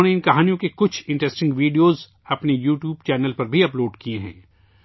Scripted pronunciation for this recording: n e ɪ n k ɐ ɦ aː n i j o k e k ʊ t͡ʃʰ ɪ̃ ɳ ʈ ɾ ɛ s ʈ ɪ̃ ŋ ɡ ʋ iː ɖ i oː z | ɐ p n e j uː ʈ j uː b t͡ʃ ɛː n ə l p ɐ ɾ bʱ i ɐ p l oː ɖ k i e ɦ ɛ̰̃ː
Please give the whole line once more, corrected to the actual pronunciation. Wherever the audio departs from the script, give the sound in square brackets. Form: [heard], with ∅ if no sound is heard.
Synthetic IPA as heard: n e ɪ n k ɐ ɦ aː n i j [õ] k e k ʊ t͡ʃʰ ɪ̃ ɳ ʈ ɾ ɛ s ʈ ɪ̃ ŋ ɡ ʋ iː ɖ i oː z | ɐ p n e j uː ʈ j uː b t͡ʃ ɛː n ə l p ɐ ɾ bʱ i ɐ p l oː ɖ k i e ɦ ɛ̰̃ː